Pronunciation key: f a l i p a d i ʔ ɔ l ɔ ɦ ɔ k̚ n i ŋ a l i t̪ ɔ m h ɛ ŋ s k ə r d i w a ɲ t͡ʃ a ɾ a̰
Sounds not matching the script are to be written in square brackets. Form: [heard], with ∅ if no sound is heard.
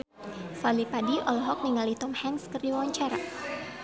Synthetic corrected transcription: f a l i p a d i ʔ ɔ l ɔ ɦ ɔ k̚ n i ŋ a l i t̪ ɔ m h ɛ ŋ s k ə r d i w a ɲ t͡ʃ a ɾ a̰

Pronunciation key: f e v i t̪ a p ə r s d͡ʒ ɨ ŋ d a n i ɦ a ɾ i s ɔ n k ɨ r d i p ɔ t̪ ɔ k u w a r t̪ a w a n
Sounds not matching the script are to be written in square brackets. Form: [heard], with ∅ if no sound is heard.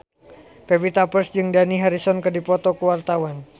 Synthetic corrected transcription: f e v i t̪ a p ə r s d͡ʒ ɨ ŋ d a n i ɦ a ɾ i s ɔ n k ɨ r d i p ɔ t̪ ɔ k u w a r t̪ a w a n

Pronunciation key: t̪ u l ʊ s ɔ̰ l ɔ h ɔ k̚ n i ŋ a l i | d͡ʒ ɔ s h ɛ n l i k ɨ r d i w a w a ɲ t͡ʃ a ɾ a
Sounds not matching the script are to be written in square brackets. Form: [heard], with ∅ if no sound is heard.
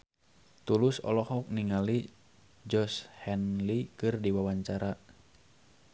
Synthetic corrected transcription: t̪ u l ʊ s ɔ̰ l ɔ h ɔ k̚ n i ŋ a l i | d͡ʒ ɔ s h ɛ n l i k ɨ r d i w a w a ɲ t͡ʃ a ɾ a

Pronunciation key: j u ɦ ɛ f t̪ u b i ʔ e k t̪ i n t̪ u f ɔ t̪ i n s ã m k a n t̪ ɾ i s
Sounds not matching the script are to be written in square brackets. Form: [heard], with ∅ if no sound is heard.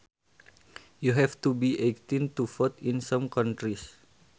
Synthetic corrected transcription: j u ɦ ɛ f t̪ u b i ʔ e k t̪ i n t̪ u f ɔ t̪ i n s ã m k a n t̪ ɾ i s

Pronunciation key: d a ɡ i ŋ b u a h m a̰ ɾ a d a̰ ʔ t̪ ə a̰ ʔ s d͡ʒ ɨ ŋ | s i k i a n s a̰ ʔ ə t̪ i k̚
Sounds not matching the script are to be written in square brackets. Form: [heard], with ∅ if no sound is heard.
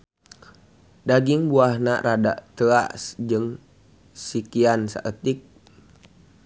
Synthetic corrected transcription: d a ɡ i ŋ b u a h [n] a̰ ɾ a d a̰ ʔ t̪ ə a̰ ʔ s d͡ʒ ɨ ŋ | s i k i a n s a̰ ʔ ə t̪ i k̚

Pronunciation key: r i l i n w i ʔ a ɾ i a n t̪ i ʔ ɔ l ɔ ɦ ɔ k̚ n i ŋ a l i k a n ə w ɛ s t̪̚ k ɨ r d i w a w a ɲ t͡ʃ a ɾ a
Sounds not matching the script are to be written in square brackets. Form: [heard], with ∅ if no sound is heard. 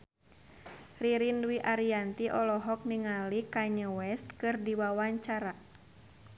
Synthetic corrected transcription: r i [ɾ] i n w i ʔ a ɾ i a n t̪ i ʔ ɔ l ɔ ɦ ɔ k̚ n i ŋ a l i k a [ɲ] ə w ɛ s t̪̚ k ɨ r d i w a w a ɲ t͡ʃ a ɾ a

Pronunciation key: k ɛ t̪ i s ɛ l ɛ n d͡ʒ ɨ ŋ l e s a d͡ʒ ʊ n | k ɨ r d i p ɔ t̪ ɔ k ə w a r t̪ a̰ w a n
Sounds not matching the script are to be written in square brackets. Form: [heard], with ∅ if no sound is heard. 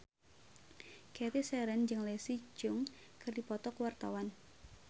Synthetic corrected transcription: k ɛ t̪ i s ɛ [ɾ] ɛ n d͡ʒ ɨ ŋ l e s [i] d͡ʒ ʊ [ŋ] | k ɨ r d i p ɔ t̪ ɔ k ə w a r t̪ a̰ w a n

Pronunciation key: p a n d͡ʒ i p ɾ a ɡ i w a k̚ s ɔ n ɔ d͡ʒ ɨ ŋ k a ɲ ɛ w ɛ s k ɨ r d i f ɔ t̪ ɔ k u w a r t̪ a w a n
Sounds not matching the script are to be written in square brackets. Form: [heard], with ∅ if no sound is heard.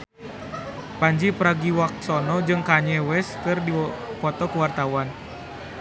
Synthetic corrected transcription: p a [ɲ] d͡ʒ i p ɾ a ɡ i w a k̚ s ɔ n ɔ d͡ʒ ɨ ŋ k a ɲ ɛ w ɛ s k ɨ r d i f ɔ t̪ ɔ k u w a r t̪ a w a n

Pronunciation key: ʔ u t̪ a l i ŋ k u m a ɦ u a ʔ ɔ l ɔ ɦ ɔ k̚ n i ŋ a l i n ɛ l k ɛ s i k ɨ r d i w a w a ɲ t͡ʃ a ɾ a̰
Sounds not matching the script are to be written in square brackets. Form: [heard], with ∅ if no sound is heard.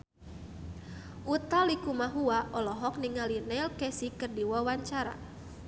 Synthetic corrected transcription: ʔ u t̪ a l i [∅] k u m a ɦ u a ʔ ɔ l ɔ ɦ ɔ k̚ n i ŋ a l i n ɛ l k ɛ s i k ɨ r d i w a w a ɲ t͡ʃ a ɾ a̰

